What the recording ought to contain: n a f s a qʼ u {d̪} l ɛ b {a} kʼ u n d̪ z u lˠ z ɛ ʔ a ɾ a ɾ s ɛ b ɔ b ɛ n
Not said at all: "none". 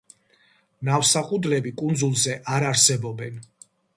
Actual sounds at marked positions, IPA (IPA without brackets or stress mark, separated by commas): d̪, i